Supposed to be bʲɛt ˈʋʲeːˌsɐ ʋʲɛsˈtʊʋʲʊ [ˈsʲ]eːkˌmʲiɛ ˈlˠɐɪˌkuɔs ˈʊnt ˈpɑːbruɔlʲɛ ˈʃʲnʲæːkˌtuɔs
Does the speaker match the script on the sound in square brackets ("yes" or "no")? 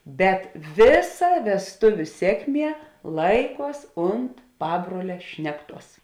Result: yes